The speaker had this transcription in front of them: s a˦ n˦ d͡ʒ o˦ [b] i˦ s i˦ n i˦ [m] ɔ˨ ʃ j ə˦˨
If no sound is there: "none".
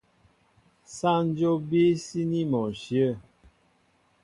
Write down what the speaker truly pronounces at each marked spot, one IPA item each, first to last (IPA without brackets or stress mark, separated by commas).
b, m